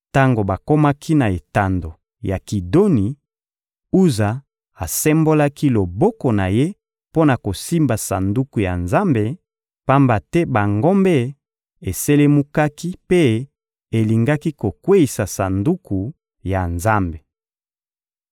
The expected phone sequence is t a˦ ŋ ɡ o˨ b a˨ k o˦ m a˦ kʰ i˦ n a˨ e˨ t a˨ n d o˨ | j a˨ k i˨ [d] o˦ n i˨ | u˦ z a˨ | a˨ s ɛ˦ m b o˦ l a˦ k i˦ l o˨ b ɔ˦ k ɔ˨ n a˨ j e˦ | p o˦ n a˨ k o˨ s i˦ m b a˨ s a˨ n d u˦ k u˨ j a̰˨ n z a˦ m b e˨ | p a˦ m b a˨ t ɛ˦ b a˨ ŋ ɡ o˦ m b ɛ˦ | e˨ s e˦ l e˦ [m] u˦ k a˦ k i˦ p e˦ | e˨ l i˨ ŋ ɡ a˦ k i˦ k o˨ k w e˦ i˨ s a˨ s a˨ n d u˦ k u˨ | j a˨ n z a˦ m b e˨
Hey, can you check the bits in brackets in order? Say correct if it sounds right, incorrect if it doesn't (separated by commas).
correct, correct